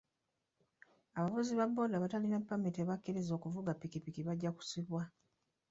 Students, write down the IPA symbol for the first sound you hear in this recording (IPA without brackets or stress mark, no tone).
a